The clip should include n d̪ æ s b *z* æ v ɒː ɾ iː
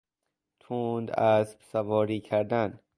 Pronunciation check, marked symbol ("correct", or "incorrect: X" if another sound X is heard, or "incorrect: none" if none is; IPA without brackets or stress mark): incorrect: s